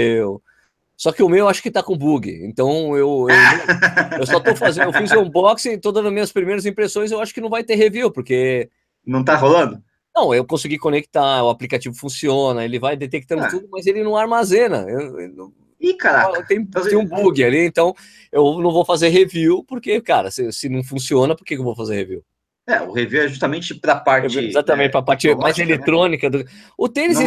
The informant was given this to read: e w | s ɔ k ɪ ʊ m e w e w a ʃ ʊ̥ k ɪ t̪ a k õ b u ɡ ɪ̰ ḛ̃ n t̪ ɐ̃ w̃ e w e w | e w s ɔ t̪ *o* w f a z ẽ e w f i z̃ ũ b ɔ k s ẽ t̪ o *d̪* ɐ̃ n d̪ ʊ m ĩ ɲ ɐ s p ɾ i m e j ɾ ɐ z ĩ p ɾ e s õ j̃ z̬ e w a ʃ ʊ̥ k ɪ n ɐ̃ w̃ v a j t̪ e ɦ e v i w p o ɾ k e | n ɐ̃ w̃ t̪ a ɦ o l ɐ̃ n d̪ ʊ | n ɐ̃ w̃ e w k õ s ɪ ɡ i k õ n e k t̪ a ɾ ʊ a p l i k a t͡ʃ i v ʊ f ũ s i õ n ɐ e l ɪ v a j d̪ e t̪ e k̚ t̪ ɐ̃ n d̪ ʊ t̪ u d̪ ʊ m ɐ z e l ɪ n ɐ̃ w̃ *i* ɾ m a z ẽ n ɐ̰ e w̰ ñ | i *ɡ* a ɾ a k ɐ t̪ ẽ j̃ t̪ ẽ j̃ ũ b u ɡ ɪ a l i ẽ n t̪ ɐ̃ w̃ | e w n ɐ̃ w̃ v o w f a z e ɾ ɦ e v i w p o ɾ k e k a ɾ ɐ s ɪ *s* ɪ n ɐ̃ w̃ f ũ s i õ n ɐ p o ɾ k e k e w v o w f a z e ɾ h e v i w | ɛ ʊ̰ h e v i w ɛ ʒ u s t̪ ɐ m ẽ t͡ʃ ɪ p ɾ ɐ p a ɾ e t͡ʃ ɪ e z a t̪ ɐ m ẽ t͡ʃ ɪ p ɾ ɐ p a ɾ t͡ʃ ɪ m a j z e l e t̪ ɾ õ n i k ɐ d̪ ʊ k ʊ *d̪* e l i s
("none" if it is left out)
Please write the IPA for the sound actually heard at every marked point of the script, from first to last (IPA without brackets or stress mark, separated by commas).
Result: o, d̪, a, k, s, t̪